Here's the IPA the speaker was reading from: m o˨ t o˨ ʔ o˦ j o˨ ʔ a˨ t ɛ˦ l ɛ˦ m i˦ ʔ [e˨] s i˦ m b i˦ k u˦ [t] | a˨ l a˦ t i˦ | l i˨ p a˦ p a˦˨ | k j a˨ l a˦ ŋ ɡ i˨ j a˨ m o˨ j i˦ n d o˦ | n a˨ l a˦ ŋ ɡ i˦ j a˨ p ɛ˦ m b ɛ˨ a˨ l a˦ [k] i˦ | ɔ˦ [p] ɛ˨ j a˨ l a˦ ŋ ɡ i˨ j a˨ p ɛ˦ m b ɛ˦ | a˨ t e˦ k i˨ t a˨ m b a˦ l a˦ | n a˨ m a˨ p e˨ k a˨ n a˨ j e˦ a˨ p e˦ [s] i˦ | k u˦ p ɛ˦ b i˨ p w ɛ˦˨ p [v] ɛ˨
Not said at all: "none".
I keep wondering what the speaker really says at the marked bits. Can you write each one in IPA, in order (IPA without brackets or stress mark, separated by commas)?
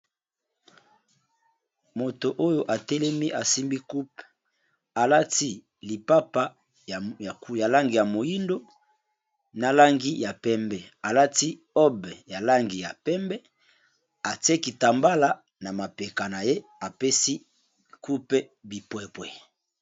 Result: a˨, p, t, b, s, w